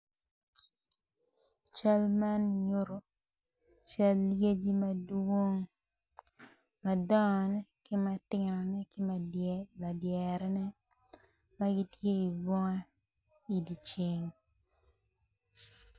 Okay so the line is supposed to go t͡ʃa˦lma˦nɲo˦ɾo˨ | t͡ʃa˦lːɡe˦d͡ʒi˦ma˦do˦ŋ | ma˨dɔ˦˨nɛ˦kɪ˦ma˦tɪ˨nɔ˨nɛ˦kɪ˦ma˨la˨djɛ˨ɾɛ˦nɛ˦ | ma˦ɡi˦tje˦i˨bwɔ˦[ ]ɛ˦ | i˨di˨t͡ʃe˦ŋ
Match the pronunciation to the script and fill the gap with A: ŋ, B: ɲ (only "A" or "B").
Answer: A